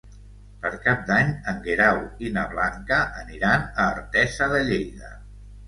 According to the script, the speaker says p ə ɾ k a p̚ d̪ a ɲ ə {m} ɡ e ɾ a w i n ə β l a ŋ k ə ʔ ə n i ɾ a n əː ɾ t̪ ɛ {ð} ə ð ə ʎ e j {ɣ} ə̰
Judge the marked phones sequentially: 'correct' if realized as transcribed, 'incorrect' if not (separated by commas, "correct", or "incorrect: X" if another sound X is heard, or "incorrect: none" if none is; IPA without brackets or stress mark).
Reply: incorrect: ŋ, incorrect: z, incorrect: ð